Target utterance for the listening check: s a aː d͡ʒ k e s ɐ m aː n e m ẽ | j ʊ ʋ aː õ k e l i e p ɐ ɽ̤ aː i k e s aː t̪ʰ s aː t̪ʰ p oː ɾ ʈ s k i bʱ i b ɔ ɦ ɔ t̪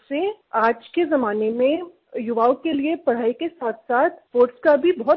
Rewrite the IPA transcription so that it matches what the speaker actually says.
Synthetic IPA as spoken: s e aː d͡ʒ k e z ɐ m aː n e m ẽ | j ʊ ʋ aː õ k e l i e p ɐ ɽ̤ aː i k e s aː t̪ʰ s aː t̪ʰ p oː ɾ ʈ s k a bʱ i b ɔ ɦ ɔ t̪